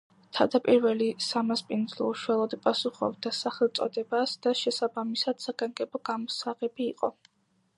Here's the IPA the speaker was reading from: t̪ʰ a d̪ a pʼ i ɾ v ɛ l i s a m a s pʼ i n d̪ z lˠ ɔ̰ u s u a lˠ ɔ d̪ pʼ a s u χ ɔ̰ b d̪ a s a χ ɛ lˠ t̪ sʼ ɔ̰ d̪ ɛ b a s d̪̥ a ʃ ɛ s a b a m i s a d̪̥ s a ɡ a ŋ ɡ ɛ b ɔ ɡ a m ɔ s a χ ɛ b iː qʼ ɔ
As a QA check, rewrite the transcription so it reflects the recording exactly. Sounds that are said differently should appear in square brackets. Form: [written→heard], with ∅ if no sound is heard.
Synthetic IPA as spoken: t̪ʰ a d̪ a pʼ i ɾ v ɛ l i s a m a s pʼ i n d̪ z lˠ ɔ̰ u [s→ʃ] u a lˠ ɔ d̪ pʼ a s u χ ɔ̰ b d̪ a s a χ ɛ lˠ t̪ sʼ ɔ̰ d̪ ɛ b a s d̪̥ a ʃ ɛ s a b a m i s a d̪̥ s a ɡ a ŋ ɡ ɛ b ɔ ɡ a m ɔ s a [χ→ʁ] ɛ b iː qʼ ɔ